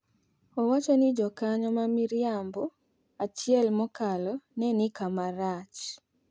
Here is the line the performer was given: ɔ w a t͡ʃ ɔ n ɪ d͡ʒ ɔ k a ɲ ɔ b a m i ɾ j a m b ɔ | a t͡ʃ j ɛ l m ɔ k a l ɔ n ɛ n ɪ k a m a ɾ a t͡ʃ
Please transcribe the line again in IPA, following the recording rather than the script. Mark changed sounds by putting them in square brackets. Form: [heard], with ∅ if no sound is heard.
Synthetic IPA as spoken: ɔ w a t͡ʃ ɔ n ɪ d͡ʒ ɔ k a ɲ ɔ [m] a m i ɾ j a m b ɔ | a t͡ʃ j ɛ l m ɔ k a l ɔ n ɛ n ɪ k a m a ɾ a t͡ʃ